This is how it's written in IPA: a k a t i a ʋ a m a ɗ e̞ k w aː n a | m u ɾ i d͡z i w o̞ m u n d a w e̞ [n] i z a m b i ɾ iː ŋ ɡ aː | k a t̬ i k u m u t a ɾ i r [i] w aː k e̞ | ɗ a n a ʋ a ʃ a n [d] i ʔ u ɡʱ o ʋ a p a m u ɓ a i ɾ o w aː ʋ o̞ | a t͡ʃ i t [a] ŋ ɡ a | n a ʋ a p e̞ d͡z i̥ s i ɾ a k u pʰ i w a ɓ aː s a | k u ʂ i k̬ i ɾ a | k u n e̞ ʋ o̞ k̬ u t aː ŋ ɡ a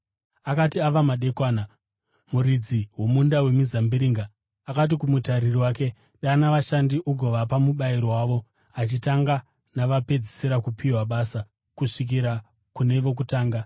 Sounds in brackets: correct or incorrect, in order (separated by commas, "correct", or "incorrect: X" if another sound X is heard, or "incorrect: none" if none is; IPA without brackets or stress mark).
incorrect: m, correct, correct, correct